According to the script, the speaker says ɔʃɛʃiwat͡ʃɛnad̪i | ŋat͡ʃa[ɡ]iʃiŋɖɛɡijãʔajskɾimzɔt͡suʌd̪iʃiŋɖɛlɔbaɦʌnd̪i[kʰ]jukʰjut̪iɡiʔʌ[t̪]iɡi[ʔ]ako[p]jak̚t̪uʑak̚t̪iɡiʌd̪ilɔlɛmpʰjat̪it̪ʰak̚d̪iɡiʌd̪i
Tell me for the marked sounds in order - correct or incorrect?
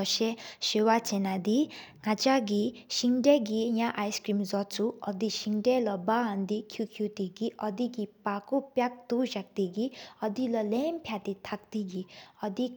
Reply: correct, correct, incorrect: d̪, incorrect: p, correct

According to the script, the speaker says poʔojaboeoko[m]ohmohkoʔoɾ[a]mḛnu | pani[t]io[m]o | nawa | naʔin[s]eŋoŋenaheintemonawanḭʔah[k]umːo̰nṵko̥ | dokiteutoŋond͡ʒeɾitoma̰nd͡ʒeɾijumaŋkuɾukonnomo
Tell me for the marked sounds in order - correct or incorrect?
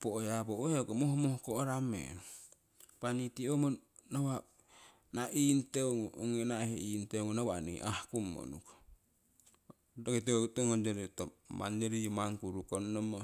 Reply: correct, correct, correct, correct, incorrect: t, correct

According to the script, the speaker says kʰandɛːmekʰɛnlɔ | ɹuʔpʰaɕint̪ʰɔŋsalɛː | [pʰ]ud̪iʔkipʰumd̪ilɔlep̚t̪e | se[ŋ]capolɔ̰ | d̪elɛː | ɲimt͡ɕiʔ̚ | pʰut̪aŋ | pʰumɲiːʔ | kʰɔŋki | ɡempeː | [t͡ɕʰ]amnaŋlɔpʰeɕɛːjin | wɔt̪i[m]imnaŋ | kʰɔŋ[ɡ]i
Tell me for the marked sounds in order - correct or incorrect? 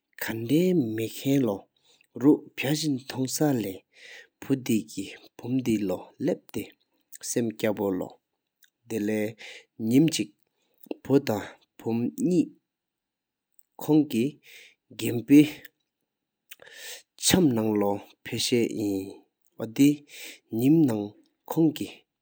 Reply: correct, incorrect: m, correct, incorrect: ɲ, incorrect: k

